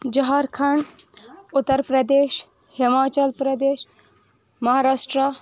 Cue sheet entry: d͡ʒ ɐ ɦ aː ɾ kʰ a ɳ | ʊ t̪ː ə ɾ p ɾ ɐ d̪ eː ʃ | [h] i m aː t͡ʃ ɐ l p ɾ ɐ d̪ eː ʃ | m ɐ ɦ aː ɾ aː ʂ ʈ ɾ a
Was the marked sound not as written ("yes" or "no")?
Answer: no